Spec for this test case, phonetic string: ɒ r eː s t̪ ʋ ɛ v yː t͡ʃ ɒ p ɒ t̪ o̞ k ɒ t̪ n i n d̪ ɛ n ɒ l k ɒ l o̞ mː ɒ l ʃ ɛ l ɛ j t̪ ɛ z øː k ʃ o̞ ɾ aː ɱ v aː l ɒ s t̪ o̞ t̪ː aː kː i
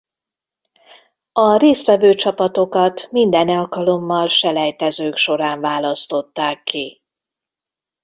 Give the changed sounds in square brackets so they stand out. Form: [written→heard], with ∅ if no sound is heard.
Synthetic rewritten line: ɒ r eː s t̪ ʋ ɛ v [yː→øː] t͡ʃ ɒ p ɒ t̪ o̞ k ɒ t̪ [n→m] i n d̪ ɛ n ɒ l k ɒ l o̞ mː ɒ l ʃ ɛ l ɛ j t̪ ɛ z øː k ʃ o̞ ɾ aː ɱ v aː l ɒ s t̪ o̞ t̪ː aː kː i